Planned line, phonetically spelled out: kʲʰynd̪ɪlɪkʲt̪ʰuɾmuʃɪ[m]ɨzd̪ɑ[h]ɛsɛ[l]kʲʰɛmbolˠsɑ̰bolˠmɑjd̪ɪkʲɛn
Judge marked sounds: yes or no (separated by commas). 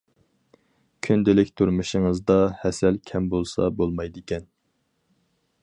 no, yes, yes